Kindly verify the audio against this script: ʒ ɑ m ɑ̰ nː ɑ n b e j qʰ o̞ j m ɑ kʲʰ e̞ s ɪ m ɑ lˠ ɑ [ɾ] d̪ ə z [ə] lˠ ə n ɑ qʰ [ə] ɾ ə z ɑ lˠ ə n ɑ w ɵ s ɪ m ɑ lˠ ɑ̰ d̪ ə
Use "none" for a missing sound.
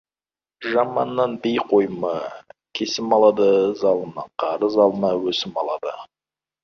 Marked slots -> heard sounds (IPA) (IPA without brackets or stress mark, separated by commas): none, ɑ, ɑ